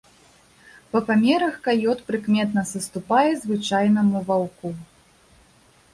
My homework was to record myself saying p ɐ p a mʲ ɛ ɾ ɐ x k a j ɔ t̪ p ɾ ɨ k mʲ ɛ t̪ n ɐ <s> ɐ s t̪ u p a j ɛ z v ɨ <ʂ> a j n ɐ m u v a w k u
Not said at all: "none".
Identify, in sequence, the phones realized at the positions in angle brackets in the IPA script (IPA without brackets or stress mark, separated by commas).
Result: s, t͡ʂ